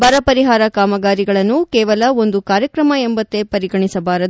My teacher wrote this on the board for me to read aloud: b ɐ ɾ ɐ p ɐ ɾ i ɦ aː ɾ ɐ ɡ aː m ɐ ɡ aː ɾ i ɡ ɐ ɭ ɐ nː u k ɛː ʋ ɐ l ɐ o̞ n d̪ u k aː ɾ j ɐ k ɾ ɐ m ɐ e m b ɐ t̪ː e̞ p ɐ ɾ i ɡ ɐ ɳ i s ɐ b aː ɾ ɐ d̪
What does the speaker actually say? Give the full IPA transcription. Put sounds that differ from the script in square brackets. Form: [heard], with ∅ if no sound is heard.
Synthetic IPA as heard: b ɐ ɾ ɐ p ɐ ɾ i ɦ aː ɾ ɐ [k] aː m ɐ ɡ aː ɾ i ɡ ɐ ɭ ɐ nː u k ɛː ʋ ɐ l ɐ o̞ n d̪ u k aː ɾ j ɐ k ɾ ɐ m ɐ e m b ɐ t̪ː e̞ p ɐ ɾ i ɡ ɐ ɳ i s ɐ b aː ɾ ɐ d̪